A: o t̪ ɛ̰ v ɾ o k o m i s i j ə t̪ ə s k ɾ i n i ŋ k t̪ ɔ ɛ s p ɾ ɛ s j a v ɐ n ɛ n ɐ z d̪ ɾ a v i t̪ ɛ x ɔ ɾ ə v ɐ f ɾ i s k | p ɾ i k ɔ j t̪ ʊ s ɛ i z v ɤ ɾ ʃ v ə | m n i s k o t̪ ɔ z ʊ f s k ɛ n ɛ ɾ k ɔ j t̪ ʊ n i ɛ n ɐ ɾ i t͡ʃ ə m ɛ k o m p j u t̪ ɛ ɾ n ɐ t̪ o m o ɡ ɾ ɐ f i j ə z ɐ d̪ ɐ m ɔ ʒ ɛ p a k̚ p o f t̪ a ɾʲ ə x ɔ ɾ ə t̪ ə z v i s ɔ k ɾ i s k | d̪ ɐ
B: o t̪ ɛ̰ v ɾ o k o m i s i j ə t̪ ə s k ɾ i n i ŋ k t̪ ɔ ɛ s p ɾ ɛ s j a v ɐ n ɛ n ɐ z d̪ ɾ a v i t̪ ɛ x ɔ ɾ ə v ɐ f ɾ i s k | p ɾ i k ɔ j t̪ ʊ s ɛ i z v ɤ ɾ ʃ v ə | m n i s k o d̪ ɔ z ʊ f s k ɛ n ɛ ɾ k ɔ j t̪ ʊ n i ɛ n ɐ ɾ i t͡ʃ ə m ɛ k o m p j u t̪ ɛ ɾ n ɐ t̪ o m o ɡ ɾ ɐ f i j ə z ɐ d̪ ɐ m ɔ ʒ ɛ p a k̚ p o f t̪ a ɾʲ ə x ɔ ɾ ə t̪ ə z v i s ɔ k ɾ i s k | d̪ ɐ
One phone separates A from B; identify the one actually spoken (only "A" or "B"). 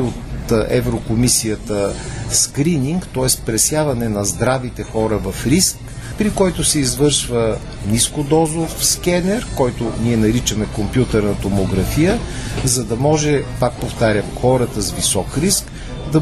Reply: B